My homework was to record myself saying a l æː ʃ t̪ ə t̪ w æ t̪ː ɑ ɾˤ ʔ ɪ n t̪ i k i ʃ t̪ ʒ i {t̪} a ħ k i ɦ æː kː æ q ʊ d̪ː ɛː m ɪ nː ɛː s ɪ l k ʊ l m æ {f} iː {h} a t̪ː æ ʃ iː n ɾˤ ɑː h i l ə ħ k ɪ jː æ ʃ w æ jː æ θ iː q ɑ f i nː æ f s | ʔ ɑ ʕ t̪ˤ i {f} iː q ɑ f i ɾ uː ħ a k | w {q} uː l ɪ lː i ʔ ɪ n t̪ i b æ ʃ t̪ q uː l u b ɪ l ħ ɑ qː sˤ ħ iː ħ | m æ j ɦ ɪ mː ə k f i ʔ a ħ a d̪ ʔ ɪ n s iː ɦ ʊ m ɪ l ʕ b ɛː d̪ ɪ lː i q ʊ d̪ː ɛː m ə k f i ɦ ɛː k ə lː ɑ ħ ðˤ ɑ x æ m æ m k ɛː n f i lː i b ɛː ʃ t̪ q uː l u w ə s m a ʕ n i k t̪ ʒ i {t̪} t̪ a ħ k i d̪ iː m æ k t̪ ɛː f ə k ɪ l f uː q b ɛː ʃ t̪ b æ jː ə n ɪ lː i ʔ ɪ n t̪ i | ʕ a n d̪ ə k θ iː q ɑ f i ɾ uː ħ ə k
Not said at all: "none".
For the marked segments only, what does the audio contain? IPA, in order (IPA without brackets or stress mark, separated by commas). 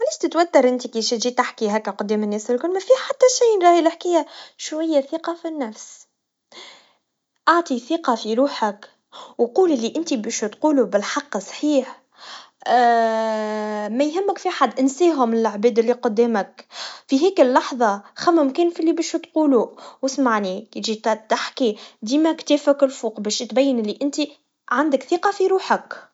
t̪, f, ħ, θ, q, t̪